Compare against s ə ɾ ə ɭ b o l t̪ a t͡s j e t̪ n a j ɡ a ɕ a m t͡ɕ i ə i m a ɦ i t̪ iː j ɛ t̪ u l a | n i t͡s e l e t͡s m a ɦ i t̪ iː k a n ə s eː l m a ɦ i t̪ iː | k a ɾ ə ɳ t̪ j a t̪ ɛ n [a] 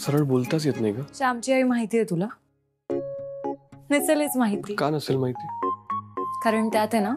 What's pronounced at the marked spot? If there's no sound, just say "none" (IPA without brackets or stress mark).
a